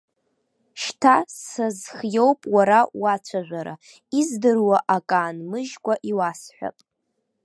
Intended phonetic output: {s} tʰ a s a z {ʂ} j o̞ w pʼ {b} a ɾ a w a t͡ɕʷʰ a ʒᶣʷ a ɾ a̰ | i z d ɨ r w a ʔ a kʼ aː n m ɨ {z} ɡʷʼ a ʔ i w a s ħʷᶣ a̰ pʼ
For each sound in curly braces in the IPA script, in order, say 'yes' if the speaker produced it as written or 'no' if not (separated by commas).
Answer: no, no, no, no